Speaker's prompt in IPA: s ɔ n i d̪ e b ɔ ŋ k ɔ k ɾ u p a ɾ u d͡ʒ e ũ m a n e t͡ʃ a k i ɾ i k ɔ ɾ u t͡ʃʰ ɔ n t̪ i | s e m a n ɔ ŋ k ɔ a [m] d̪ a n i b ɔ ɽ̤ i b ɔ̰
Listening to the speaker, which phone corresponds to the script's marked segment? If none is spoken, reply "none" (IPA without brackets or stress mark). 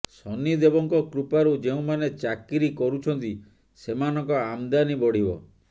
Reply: m